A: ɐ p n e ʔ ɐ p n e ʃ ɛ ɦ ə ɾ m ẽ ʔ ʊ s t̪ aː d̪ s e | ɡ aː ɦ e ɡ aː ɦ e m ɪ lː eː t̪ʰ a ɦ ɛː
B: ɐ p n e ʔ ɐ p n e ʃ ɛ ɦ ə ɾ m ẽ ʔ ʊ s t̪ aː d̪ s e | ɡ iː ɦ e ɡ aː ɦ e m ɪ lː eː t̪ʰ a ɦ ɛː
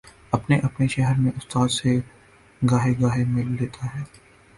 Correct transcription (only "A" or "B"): A